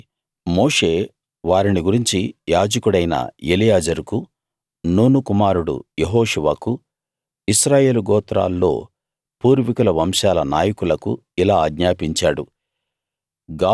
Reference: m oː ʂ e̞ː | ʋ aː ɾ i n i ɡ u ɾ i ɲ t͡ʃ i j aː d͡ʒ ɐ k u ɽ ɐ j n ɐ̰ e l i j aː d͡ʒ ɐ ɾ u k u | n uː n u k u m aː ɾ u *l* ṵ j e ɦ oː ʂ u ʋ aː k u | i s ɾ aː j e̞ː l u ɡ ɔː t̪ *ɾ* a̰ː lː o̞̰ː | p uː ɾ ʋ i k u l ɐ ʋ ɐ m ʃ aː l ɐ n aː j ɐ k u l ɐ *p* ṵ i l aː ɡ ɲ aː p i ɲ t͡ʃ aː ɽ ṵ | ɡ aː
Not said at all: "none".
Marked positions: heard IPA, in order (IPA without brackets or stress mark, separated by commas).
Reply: ɽ, ɾ, k